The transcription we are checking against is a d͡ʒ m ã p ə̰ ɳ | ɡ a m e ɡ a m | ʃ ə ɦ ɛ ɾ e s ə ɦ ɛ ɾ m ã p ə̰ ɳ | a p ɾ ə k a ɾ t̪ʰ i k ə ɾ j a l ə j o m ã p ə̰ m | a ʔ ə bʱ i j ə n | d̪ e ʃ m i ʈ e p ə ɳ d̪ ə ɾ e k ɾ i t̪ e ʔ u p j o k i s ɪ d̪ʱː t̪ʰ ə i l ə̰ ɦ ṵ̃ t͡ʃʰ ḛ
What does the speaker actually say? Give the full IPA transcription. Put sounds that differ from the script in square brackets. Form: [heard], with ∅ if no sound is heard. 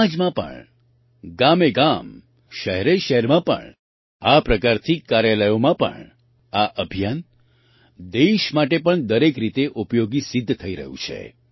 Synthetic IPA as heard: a d͡ʒ m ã p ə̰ ɳ | ɡ a m e ɡ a m | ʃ ə ɦ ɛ ɾ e [ʃ] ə ɦ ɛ ɾ m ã p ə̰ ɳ | a p ɾ ə k a ɾ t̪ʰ i k [a] ɾ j a l ə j o m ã p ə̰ [ɳ] | a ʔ ə bʱ i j [a] n | d̪ e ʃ m [a] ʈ e p ə ɳ d̪ ə ɾ e k ɾ i t̪ e ʔ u p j o [ɡ] i s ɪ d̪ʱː t̪ʰ ə i [ɾ] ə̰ ɦ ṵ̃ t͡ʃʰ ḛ